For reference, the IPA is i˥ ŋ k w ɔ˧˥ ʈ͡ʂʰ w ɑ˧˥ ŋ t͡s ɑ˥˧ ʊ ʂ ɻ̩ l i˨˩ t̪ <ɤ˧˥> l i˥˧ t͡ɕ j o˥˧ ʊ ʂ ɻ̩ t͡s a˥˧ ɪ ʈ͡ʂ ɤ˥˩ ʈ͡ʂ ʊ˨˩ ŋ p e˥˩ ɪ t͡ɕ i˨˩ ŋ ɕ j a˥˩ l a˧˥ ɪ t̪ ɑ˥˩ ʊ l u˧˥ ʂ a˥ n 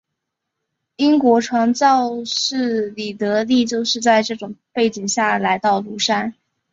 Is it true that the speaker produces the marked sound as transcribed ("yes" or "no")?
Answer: yes